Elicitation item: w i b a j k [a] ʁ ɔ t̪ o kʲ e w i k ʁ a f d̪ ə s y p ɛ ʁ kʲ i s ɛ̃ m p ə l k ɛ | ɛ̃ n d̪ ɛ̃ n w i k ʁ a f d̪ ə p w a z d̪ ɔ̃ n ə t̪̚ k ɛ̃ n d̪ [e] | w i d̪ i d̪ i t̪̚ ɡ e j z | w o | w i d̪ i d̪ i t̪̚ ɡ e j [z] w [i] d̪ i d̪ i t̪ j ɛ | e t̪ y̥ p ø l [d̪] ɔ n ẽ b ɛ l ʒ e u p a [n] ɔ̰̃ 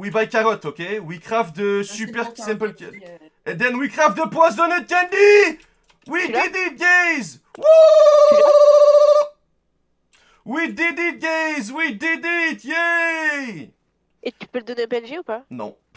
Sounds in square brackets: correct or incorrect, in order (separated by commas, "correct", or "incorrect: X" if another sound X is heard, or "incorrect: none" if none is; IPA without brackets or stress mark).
correct, incorrect: i, correct, correct, correct, correct